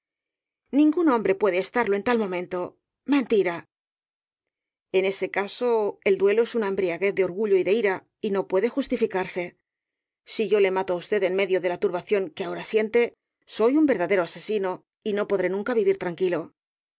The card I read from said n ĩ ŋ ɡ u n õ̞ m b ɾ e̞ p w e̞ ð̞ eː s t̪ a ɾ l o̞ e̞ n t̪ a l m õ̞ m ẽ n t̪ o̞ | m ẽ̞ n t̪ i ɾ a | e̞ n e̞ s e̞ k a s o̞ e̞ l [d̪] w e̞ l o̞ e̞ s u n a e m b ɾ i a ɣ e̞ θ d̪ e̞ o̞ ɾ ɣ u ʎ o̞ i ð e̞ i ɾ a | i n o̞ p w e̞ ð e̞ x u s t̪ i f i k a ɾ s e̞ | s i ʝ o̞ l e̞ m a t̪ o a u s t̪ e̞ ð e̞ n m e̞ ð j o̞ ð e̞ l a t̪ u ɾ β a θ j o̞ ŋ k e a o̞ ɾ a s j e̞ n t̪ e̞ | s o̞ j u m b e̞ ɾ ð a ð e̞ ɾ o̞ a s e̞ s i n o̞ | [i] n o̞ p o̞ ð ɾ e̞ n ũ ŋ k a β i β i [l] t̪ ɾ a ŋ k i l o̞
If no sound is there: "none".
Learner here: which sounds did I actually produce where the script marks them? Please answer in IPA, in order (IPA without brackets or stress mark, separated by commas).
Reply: d̪, i, ɾ